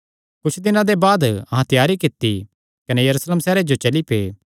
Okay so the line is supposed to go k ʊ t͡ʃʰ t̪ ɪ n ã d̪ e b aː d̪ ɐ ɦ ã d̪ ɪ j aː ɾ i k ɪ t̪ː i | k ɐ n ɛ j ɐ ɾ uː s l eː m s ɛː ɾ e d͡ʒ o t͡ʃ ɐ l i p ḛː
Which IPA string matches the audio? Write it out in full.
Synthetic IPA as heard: k ʊ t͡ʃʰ d̪ ɪ n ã d̪ e b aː d̪ ɐ ɦ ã t̪ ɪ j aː ɾ i k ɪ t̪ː i | k ɐ n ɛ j ɐ ɾ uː s l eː m s ɛː ɾ e d͡ʒ o t͡ʃ ɐ l i p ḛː

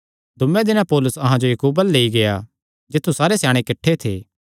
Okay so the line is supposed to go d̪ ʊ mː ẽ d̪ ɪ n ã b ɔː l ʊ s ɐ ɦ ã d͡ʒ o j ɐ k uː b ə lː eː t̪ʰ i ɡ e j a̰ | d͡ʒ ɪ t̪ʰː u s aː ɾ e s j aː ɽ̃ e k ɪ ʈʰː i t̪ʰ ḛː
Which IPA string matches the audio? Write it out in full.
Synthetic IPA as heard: d̪ ʊ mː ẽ d̪ ɪ n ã p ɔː l ʊ s ɐ ɦ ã d͡ʒ o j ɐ k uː b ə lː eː i ɡ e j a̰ | d͡ʒ ɪ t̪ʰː u s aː ɾ e s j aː ɽ̃ e k ɪ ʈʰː e t̪ʰ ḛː

